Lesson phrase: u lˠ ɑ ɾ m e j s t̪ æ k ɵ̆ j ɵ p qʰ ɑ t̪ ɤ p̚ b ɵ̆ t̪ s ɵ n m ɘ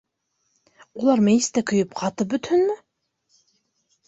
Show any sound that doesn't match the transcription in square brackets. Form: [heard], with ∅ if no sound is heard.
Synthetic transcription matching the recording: u lˠ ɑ ɾ m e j s t̪ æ k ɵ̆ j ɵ p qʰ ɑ t̪ ɤ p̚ b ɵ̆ t̪ [h] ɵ n m ɘ